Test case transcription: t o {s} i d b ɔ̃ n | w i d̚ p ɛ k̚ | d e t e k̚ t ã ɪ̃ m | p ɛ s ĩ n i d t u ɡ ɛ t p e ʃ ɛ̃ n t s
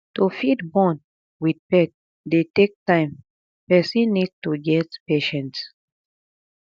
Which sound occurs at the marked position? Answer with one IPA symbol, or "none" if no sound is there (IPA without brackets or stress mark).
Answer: f